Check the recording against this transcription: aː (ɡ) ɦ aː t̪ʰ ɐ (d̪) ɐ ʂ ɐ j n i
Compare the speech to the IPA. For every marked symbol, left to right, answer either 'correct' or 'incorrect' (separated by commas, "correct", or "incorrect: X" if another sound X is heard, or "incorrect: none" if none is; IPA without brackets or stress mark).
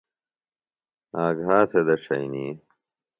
correct, correct